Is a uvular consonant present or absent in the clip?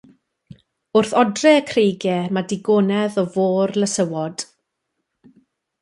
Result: absent